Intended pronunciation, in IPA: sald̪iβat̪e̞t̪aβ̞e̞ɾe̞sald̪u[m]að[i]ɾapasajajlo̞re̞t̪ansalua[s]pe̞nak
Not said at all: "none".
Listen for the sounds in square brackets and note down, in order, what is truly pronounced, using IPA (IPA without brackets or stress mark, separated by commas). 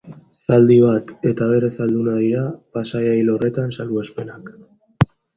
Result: n, i, s